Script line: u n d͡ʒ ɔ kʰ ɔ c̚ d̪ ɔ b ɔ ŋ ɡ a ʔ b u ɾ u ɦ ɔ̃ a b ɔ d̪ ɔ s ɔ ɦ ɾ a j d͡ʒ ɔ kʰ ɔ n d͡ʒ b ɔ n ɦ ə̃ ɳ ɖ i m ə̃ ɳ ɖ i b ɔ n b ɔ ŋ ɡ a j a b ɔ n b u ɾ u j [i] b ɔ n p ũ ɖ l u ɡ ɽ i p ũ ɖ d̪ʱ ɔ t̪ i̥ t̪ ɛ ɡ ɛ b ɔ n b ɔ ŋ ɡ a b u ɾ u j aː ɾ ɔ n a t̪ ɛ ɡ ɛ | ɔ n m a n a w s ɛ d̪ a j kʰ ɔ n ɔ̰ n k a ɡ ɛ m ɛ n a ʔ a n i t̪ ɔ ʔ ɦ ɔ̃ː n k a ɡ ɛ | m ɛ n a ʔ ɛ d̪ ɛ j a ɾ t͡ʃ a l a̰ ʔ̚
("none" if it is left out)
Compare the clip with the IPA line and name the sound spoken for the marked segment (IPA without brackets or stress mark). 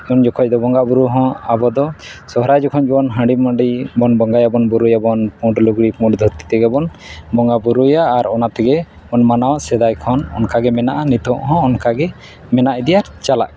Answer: a